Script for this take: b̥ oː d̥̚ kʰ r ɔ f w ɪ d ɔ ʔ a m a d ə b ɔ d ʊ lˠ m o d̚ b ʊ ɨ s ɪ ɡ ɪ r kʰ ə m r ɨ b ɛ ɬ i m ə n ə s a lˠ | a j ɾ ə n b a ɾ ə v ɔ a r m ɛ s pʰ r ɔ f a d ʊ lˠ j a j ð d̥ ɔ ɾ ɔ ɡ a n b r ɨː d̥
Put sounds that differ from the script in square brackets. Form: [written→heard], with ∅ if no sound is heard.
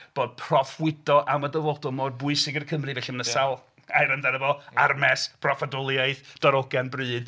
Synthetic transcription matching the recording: b̥ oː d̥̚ [kʰ→pʰ] r ɔ f w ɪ d ɔ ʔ a m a d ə [b→v] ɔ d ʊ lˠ m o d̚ b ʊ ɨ s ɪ ɡ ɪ r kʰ ə m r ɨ [b→v] ɛ ɬ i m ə n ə s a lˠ | a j ɾ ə n [b→d] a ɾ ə v ɔ a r m ɛ s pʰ r ɔ f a d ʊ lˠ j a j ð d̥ ɔ ɾ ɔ ɡ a n b r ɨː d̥